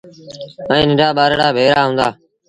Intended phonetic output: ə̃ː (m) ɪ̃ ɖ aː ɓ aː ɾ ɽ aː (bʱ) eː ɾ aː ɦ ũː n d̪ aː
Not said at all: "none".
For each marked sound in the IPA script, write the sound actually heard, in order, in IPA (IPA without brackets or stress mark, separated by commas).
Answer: n, bʱ